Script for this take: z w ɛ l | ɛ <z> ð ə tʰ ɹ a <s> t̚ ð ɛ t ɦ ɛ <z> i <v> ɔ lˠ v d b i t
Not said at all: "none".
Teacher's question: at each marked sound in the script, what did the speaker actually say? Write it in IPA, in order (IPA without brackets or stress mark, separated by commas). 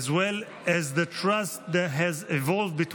z, s, z, v